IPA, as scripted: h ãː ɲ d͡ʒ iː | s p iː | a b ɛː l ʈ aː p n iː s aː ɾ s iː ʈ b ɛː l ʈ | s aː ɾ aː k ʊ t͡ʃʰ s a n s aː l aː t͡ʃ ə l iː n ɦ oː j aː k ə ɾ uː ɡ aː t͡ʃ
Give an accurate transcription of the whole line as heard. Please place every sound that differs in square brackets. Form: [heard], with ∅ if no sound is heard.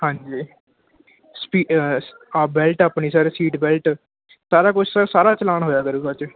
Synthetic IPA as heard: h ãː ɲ d͡ʒ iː | s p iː | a b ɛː l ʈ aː p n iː s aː ɾ s iː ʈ b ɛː l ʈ | s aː ɾ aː k ʊ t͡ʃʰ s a [∅] s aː [ɾ] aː t͡ʃ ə l [aː] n ɦ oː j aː k ə ɾ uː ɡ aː t͡ʃ